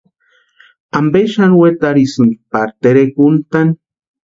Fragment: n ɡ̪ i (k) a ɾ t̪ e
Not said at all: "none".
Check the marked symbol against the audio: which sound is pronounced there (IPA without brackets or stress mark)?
p